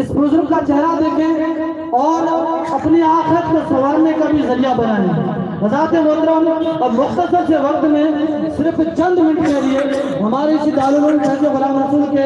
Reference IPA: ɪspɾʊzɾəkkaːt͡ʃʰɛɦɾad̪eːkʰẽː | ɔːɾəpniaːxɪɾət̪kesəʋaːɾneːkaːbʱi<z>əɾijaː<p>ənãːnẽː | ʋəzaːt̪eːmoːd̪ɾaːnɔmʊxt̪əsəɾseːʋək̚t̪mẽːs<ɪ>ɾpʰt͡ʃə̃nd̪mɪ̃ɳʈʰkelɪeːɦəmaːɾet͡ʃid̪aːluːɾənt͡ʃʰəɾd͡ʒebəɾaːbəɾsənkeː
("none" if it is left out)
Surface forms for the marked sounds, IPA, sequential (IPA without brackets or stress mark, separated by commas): z, b, ɪ